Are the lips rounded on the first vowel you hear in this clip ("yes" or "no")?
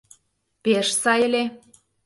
no